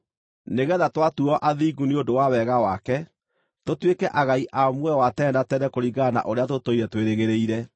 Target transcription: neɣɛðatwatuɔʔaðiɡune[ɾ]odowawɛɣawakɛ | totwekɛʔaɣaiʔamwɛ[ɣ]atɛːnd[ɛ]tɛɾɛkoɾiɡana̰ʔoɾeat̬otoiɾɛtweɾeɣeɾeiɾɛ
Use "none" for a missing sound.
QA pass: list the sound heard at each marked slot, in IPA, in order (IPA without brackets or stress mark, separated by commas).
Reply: none, w, a